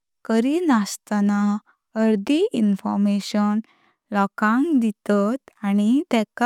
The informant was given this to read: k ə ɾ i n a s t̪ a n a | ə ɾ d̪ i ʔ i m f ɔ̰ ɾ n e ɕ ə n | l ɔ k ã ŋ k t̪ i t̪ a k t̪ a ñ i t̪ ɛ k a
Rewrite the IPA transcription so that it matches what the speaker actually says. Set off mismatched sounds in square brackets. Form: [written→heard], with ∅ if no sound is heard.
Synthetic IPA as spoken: k ə ɾ i n a s t̪ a n a | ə ɾ d̪ i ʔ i [m→n] f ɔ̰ ɾ [n→m] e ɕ ə n | l ɔ k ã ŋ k [t̪→d̪] i t̪ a [k→∅] t̪ a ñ i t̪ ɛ k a